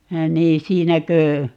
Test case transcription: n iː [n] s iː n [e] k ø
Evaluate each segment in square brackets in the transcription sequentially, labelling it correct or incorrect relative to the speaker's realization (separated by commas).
incorrect, incorrect